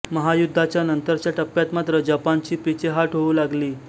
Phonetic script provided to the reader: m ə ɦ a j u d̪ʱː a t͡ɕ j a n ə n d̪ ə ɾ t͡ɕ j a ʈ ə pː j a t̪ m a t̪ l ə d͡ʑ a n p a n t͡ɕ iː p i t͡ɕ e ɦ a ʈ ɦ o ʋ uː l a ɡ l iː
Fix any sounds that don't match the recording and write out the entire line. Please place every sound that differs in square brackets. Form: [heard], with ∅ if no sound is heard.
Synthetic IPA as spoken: m ə ɦ a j u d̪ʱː a t͡ɕ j a n ə n [t̪] ə ɾ t͡ɕ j a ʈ ə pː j a t̪ m a t̪ [ɾ] ə d͡ʑ a [∅] p a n t͡ɕ iː p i t͡ɕ e ɦ a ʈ ɦ o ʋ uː l a ɡ l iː